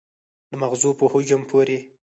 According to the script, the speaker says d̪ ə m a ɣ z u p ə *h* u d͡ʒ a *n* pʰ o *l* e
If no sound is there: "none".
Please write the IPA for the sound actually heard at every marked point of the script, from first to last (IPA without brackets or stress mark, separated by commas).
h, m, ɾ